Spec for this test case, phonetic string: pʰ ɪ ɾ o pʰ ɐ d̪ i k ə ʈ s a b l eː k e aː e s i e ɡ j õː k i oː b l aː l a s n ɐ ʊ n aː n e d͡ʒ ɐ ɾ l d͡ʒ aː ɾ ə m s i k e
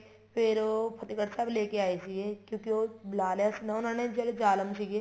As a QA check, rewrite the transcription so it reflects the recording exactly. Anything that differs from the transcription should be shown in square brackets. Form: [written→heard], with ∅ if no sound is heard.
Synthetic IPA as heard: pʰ ɪ ɾ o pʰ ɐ [d̪→t̪] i k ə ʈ s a b l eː k e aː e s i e [ɡ→k] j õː k i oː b l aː l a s n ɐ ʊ n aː n e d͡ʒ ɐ [ɾ→∅] l d͡ʒ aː [ɾ→l] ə m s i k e